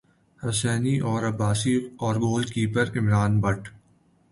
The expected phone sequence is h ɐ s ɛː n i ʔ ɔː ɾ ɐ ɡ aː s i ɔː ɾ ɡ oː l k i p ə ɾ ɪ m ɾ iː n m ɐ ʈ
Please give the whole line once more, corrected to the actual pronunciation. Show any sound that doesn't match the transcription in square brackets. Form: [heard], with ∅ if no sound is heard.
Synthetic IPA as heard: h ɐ s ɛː n i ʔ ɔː ɾ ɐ [b] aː s i ɔː ɾ ɡ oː l k [iː] p ə ɾ ɪ m ɾ [aː] n [b] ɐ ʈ